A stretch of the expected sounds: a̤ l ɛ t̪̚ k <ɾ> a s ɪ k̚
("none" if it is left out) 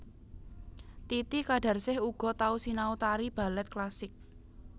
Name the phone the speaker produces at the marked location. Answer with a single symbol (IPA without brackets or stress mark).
l